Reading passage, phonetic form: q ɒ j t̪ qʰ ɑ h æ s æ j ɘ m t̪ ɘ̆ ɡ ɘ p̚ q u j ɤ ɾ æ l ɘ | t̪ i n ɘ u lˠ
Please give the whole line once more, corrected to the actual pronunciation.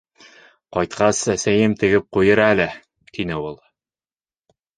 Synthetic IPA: q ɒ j t̪ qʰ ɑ s æ s æ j ɘ m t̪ ɘ̆ ɡ ɘ p̚ q u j ɤ ɾ æ l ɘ | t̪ i n ɘ u lˠ